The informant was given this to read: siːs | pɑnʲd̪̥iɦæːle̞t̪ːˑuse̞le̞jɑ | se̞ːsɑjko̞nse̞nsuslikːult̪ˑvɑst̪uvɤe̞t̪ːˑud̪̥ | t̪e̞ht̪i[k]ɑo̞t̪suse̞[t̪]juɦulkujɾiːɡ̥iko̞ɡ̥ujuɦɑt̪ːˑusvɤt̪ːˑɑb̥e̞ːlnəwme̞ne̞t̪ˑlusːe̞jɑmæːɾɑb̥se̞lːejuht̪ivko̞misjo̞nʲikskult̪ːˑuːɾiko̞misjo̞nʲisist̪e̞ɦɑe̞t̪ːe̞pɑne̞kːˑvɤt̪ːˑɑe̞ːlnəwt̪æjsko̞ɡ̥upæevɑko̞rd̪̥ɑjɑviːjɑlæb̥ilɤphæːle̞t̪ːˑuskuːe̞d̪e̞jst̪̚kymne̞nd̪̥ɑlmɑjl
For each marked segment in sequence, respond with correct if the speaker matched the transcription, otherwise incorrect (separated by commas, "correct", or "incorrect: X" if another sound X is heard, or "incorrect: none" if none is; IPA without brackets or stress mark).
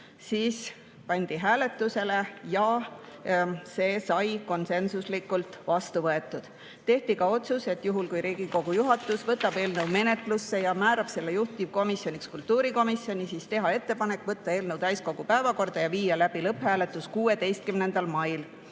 correct, correct